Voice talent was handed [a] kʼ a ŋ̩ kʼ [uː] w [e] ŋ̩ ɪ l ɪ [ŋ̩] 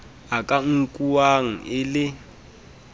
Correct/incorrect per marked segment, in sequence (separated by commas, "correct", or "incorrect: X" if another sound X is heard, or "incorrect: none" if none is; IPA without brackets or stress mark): correct, incorrect: u, incorrect: a, incorrect: none